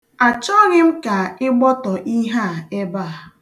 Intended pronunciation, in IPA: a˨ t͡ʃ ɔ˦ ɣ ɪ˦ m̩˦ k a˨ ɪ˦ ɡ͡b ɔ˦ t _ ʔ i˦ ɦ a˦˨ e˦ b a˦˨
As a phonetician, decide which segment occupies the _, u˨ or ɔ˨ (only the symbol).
ɔ˨